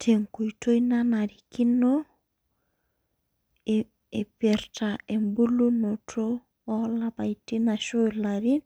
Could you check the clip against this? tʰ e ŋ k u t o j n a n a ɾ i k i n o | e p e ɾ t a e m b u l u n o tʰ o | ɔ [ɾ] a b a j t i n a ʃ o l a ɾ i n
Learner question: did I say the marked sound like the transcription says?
no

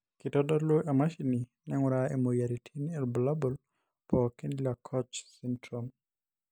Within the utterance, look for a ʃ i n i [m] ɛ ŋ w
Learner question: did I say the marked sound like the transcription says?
no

